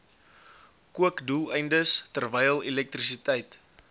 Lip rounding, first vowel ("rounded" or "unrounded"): rounded